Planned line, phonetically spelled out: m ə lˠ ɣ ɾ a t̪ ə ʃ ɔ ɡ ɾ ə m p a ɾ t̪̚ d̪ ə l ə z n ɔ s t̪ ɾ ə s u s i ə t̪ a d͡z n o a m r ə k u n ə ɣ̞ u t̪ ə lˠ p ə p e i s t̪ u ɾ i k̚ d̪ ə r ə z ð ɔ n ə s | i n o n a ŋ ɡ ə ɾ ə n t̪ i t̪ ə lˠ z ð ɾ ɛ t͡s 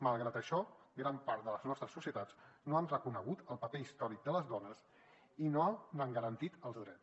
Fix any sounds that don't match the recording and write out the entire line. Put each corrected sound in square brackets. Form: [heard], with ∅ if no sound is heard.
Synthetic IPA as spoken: m ə lˠ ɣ ɾ a t̪ ə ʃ ɔ ɡ ɾ [a] m p a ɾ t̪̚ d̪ ə l ə z n ɔ s t̪ ɾ ə s u s i ə t̪ a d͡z n o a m r ə k u n ə ɣ̞ u t̪ ə lˠ p ə p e i s t̪ [ɔ] ɾ i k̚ d̪ ə [l] ə z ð ɔ n ə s | i n o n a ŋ ɡ ə ɾ ə n t̪ i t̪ ə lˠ z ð ɾ ɛ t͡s